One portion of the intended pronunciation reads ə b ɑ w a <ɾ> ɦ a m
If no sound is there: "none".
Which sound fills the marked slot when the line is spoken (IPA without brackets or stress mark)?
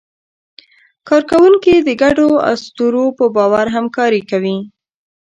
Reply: ɾ